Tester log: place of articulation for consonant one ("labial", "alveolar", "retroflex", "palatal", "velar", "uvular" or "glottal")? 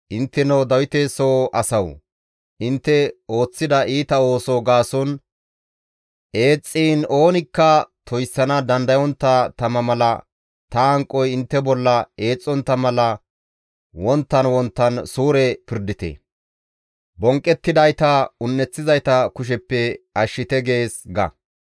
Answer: glottal